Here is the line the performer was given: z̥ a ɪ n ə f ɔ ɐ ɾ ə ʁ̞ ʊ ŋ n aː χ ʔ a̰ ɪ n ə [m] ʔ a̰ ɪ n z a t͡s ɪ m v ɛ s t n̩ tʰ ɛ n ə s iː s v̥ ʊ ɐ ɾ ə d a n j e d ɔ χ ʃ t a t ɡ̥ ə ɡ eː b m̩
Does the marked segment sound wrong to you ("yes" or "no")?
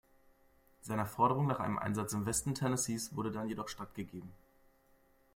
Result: no